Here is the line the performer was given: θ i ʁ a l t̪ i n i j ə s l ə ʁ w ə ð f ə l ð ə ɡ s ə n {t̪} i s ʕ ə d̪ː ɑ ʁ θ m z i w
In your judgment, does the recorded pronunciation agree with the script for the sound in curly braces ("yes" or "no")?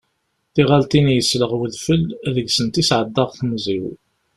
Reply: yes